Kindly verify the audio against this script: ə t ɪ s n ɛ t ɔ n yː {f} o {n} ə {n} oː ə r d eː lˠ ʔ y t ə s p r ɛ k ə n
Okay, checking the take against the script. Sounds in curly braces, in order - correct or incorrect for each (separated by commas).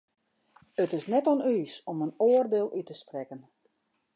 incorrect, incorrect, correct